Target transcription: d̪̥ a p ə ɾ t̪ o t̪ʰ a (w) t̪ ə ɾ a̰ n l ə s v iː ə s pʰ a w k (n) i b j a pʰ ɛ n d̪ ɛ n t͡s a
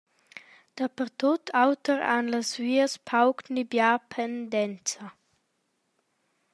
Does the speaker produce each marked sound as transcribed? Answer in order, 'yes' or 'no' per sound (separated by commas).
yes, yes